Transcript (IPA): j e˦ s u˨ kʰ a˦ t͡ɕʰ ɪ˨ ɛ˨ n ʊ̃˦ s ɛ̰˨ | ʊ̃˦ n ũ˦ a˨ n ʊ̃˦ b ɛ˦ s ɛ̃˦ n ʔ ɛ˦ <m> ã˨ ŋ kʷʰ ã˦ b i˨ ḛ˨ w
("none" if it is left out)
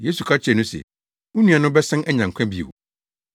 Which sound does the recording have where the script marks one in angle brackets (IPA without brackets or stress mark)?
ɲ